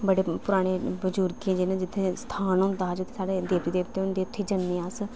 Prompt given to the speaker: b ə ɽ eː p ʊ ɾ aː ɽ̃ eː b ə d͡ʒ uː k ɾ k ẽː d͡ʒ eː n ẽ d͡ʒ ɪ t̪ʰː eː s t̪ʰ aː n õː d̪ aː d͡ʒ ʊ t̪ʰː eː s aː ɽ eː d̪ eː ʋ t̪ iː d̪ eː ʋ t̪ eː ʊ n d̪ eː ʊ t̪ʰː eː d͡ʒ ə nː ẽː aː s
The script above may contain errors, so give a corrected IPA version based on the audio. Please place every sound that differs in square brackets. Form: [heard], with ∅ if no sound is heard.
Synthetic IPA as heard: b ə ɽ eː p ʊ ɾ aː ɽ̃ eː b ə d͡ʒ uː [∅] ɾ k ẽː d͡ʒ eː n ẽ d͡ʒ ɪ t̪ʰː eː s t̪ʰ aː n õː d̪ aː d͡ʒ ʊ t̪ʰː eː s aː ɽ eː d̪ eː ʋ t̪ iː d̪ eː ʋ t̪ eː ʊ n d̪ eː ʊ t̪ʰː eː d͡ʒ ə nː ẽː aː s